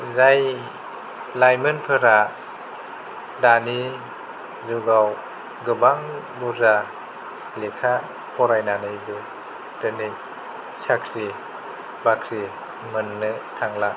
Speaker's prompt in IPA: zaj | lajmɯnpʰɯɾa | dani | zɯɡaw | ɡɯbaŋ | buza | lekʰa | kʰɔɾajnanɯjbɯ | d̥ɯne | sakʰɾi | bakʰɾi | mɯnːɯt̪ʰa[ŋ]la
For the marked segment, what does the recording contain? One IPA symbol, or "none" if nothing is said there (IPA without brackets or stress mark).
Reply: ŋ